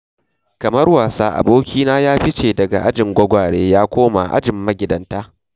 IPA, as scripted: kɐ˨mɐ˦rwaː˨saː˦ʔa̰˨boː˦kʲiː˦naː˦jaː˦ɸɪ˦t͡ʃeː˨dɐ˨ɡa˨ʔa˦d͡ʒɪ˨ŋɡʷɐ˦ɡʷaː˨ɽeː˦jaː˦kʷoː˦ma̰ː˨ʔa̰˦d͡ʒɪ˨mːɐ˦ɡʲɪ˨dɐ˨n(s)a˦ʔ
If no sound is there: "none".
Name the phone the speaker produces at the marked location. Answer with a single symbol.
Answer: t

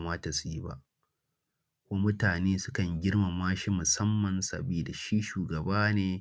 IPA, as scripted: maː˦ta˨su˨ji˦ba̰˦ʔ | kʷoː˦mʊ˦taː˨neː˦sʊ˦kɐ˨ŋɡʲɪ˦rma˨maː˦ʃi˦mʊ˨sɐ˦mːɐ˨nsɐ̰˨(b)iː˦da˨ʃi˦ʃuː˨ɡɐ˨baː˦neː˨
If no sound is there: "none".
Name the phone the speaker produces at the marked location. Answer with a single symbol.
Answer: b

